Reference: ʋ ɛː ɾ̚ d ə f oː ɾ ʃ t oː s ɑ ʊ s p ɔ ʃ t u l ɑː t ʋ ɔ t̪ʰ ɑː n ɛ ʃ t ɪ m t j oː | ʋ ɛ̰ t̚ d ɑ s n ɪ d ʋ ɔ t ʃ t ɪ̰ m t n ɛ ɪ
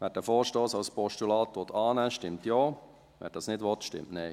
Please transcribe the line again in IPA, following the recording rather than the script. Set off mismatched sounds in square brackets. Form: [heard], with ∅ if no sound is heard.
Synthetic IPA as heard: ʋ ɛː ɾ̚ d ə f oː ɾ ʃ t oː s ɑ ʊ s p ɔ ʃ t u l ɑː t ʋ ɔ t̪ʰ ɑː n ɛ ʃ t ɪ m t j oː | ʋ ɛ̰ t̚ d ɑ s n ɪ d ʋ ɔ t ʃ t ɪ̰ m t n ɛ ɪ